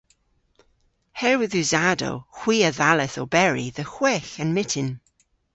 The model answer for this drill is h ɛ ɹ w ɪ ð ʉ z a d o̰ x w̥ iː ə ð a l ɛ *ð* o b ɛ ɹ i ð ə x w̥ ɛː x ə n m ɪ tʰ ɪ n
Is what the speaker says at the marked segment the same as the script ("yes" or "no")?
no